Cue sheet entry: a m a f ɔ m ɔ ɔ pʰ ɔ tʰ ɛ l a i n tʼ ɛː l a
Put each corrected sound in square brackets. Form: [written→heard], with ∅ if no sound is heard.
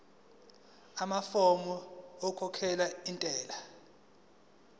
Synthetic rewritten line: a m a f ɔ m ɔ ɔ [pʰ→kʰ] ɔ [tʰ→kʰ] ɛ l a i n tʼ ɛː l a